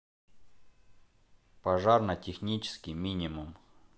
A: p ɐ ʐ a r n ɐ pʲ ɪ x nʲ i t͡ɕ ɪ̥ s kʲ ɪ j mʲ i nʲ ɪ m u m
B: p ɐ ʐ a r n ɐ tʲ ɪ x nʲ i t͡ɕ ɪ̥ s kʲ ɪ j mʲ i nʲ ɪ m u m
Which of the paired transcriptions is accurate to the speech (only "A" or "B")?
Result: B